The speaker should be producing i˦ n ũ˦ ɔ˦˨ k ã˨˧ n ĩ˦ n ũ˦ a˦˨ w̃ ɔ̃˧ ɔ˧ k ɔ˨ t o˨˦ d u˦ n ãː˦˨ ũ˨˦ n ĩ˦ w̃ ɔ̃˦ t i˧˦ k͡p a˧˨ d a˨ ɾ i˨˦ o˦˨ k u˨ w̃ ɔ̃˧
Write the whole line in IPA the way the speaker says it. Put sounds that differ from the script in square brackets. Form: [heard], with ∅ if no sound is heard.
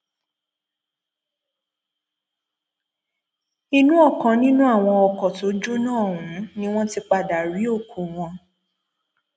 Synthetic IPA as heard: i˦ n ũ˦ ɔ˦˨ k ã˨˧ n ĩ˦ n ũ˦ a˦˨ w̃ ɔ̃˧ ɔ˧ k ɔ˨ t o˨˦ [d͡ʒ] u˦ n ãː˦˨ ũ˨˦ n ĩ˦ w̃ ɔ̃˦ t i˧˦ k͡p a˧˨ d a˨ ɾ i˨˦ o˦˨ k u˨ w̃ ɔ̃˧